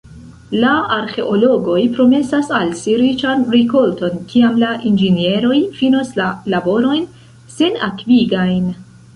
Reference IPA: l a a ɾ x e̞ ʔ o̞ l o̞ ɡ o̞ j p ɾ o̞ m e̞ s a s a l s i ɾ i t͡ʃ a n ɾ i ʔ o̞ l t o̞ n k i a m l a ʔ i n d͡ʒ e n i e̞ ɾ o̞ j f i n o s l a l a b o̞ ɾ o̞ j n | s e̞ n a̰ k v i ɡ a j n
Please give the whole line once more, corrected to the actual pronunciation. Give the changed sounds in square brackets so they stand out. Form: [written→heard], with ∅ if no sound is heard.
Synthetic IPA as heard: l a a ɾ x e̞ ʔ o̞ l o̞ ɡ o̞ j p ɾ o̞ m e̞ s a s a l s i ɾ i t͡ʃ a n ɾ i [ʔ→k] o̞ l t o̞ n k i a m l a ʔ i n d͡ʒ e n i e̞ ɾ o̞ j f i n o s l a l a b o̞ ɾ o̞ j n | s e̞ n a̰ k v i ɡ a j n